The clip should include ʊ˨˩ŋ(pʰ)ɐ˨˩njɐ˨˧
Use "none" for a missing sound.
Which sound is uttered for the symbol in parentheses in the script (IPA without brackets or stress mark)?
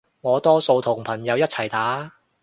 pʰ